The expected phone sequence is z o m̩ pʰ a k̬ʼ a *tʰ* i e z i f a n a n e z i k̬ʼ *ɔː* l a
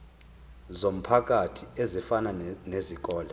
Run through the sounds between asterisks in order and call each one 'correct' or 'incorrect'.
correct, correct

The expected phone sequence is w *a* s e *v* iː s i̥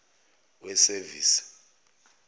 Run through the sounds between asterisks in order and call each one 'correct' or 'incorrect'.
incorrect: ɛ, correct

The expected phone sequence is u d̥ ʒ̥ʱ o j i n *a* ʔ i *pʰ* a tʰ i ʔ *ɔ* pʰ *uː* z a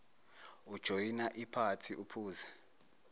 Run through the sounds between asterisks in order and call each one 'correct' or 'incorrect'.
correct, correct, incorrect: u, correct

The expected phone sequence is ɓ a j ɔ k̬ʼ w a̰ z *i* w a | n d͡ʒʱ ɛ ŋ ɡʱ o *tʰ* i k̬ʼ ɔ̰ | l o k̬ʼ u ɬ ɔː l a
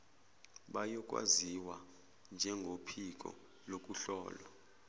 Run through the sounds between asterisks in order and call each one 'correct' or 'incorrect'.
correct, incorrect: pʰ

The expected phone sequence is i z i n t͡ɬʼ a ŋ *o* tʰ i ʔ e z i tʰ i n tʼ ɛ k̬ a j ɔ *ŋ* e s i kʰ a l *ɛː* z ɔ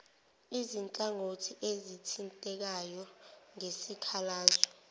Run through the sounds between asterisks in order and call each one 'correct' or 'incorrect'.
correct, correct, incorrect: aː

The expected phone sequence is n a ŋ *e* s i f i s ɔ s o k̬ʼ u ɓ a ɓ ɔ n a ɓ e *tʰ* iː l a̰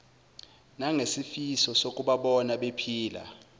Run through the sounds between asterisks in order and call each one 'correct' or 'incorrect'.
correct, incorrect: pʰ

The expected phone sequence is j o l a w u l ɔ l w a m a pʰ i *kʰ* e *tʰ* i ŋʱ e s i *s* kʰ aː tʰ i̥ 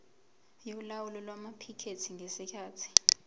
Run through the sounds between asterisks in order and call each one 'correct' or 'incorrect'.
correct, correct, incorrect: none

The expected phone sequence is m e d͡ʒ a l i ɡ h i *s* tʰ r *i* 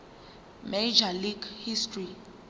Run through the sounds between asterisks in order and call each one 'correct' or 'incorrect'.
correct, correct

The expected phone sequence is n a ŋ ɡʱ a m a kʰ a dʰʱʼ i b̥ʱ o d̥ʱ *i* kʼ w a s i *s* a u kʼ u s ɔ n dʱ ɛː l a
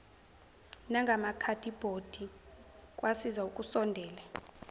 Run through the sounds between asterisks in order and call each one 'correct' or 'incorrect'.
correct, incorrect: z

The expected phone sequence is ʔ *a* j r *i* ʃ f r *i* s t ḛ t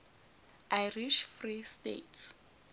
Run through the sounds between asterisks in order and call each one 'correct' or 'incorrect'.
correct, correct, correct

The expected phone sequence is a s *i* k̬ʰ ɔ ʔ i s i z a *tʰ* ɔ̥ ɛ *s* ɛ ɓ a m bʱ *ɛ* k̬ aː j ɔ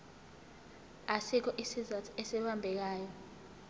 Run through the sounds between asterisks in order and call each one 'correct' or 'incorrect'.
correct, correct, correct, correct

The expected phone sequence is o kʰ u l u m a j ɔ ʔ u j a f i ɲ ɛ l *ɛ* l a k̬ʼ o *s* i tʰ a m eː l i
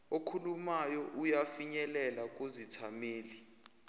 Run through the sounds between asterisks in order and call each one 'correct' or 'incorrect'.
correct, incorrect: z

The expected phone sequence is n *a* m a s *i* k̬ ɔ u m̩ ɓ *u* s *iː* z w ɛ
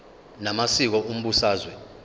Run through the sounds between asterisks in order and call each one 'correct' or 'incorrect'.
correct, correct, correct, incorrect: aː

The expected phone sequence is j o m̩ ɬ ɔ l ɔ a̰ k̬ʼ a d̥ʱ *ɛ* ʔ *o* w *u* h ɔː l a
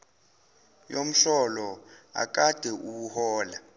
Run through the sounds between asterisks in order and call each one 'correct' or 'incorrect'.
correct, incorrect: u, correct

